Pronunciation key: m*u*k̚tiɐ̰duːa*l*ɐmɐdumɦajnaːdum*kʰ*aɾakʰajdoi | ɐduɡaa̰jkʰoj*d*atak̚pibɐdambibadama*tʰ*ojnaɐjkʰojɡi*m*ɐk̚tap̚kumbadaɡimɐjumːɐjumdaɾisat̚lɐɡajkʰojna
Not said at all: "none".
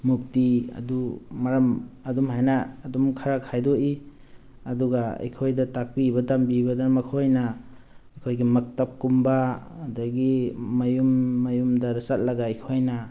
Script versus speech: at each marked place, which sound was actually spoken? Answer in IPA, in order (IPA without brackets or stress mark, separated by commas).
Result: u, ɾ, kʰ, d, kʰ, m